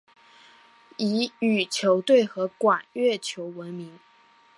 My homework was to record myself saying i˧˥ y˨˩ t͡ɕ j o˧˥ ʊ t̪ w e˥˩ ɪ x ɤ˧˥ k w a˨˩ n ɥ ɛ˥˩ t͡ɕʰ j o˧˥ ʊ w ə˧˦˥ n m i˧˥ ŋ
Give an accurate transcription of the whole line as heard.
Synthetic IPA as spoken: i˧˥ y˨˩ t͡ɕʰ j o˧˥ ʊ t̪ w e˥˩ ɪ x ɤ˧˥ k w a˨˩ n ɥ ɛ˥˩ t͡ɕʰ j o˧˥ ʊ w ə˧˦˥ n m i˧˥ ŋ